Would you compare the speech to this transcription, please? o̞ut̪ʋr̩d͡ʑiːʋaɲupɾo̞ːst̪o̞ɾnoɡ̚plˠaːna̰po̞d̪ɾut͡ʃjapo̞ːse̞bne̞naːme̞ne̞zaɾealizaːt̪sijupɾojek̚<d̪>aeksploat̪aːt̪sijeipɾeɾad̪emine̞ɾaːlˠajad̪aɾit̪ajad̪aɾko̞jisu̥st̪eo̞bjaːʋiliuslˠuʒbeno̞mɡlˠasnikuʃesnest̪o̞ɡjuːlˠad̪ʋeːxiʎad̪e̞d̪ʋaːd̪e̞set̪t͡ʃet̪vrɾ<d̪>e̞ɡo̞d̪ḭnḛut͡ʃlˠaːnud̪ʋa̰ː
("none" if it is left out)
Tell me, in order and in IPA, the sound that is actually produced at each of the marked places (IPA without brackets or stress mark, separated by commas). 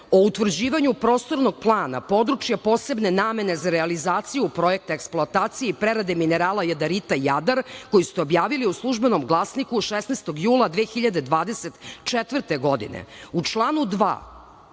t̪, t̪